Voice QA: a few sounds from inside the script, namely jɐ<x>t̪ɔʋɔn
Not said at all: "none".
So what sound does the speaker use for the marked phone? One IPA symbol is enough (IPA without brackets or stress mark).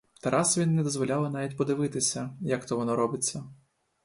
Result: k